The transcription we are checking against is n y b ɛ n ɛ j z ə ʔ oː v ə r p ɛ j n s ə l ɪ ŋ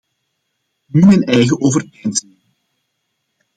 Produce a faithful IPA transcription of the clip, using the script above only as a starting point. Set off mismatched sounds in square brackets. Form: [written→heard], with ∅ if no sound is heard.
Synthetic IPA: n y [b→m] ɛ n ɛ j [z→ɣ] ə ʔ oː v ə r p ɛ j n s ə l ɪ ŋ